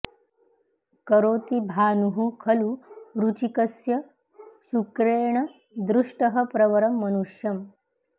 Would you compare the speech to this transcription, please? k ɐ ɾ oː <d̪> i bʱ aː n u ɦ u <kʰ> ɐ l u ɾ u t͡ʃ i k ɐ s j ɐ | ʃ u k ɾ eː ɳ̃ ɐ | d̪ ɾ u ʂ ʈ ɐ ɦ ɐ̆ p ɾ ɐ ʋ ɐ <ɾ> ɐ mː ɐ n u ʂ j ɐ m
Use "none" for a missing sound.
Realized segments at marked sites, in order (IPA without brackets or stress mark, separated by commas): t̪, kʰ, ɾ